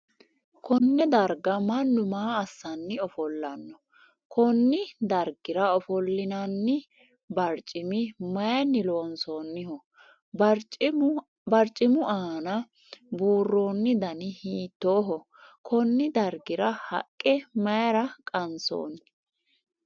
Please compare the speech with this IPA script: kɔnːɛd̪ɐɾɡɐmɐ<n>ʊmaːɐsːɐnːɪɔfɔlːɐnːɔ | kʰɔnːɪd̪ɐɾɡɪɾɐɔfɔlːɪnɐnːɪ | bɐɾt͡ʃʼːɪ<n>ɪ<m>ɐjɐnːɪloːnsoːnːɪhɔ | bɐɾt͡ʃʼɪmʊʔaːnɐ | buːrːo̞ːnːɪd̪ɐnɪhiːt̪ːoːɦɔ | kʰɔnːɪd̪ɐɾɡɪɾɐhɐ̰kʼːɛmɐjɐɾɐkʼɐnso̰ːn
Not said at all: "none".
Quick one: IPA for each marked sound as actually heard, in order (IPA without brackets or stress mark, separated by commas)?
nː, m, m